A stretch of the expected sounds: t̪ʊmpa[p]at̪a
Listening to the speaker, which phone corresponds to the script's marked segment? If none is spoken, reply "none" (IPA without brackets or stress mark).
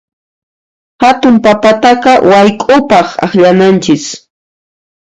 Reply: p